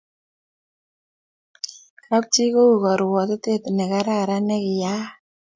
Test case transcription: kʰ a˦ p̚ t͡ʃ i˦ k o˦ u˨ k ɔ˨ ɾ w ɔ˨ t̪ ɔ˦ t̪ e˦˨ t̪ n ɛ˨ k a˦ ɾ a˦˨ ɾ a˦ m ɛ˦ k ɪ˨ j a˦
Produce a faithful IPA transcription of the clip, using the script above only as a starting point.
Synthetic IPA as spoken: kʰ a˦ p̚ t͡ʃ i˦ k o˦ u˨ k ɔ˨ ɾ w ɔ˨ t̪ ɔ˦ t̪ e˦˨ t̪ n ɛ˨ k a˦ ɾ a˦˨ ɾ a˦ n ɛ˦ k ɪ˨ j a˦

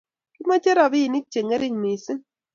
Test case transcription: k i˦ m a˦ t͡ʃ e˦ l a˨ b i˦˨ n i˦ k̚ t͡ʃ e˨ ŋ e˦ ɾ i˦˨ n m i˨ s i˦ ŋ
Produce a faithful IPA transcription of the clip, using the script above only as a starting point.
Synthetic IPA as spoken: k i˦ m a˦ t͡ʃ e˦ ɾ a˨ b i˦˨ n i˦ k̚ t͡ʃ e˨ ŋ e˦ ɾ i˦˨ ŋ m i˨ s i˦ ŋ

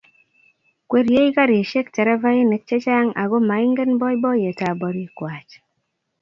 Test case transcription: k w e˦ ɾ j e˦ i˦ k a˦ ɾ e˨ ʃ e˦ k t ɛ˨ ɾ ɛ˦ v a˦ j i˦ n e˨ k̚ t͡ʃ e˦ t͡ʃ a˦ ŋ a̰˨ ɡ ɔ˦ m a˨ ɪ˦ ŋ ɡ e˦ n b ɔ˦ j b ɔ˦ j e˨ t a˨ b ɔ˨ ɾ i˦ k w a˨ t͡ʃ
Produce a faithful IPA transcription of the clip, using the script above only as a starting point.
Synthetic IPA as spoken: k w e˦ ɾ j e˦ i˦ k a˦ ɾ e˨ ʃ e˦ k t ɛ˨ ɾ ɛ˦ v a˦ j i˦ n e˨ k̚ t͡ʃ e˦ t͡ʃ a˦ ŋ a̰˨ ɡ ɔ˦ m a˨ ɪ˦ ŋ ɡ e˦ n b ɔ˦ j b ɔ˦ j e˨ t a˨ b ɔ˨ ɾ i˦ k w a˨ t͡ʃ

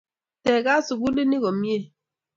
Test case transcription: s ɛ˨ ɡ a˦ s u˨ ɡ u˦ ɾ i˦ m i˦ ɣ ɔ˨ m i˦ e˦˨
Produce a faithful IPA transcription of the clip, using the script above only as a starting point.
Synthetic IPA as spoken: t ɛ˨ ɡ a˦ s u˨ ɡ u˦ l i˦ n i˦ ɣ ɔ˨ m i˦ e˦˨

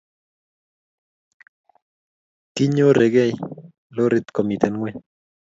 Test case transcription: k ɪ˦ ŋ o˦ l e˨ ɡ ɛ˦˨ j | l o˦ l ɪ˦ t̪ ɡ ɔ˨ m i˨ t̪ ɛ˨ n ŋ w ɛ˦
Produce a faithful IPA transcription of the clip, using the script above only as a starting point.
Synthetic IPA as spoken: k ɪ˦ ɲ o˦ ɾ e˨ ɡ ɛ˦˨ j | l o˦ ɾ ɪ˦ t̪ k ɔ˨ m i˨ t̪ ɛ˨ n ŋ w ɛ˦

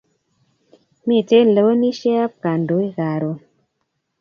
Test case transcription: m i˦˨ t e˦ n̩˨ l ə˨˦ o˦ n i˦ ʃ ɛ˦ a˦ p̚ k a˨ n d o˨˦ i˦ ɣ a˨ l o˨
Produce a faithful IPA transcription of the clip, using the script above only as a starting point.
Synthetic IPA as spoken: m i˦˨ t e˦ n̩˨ l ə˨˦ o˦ n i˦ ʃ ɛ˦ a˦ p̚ k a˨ n d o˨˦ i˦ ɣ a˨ ɾ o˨

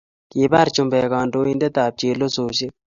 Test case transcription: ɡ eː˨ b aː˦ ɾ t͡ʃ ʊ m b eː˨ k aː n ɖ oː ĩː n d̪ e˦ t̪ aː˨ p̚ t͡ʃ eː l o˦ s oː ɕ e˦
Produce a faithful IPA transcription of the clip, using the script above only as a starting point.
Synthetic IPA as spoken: k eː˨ b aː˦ ɾ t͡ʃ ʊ m b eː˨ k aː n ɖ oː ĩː n d̪ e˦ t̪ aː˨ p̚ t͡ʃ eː l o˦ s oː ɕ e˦

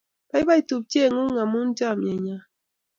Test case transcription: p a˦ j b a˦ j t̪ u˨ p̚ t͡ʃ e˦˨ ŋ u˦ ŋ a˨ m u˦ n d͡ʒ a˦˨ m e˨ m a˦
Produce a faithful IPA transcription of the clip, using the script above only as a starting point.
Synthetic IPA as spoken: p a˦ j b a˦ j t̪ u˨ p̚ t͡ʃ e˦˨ ŋ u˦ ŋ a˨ m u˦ n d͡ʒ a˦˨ m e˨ ɲ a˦

